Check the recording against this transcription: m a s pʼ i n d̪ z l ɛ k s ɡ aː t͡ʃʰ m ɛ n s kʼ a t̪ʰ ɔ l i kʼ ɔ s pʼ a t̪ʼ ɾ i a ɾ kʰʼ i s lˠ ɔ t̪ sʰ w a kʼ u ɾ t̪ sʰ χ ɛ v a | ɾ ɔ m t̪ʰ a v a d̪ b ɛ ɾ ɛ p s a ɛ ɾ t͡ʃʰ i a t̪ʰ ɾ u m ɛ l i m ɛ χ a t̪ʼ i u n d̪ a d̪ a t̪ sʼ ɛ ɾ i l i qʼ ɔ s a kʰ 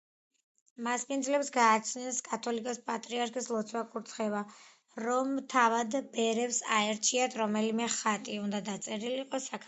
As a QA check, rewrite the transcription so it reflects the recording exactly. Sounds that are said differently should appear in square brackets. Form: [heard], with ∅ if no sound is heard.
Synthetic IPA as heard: m a s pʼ i n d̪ z l ɛ [p] s ɡ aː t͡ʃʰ [n] ɛ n s kʼ a t̪ʰ ɔ l i kʼ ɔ s pʼ a t̪ʼ ɾ i a ɾ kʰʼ i s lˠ ɔ t̪ sʰ w a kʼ u ɾ t̪ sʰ χ ɛ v a | ɾ ɔ m t̪ʰ a v a d̪ b ɛ ɾ ɛ p s a ɛ ɾ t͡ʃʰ i a t̪ʰ ɾ [ɔ] m ɛ l i m ɛ χ a t̪ʼ i u n d̪ a d̪ a t̪ sʼ ɛ ɾ i l i qʼ ɔ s a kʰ